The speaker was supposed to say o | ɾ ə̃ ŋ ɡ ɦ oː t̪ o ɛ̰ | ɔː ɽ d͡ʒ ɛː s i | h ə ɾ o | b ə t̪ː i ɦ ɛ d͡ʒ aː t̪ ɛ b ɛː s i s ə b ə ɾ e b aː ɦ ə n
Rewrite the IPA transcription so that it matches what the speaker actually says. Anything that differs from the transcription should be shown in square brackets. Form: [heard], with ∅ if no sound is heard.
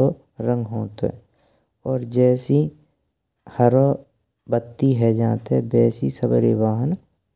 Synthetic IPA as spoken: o | ɾ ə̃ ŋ ɡ ɦ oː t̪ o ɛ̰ | ɔː [ɾ] d͡ʒ ɛː s i | h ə ɾ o | b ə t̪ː i ɦ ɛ d͡ʒ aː t̪ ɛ b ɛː s i s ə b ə ɾ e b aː ɦ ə n